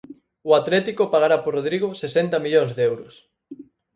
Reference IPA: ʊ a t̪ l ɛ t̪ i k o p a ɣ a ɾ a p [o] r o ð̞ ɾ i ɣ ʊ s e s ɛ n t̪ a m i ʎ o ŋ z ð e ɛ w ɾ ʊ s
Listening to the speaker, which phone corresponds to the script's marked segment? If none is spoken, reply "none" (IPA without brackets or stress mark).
o